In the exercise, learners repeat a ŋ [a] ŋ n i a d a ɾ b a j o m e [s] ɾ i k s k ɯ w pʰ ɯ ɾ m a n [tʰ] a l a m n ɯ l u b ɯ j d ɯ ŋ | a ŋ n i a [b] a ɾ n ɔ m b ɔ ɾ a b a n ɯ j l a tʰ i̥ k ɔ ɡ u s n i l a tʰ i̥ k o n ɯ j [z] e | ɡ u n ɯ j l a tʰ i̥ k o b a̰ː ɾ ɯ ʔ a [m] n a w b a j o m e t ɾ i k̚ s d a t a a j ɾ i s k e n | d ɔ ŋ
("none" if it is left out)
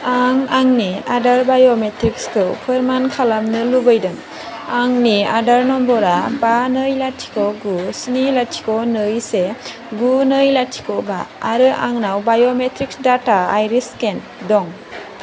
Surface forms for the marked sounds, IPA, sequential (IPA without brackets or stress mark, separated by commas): a, t, kʰ, d, s, ŋ